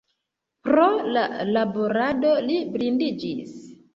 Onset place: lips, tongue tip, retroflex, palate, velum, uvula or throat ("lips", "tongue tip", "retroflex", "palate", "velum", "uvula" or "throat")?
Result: lips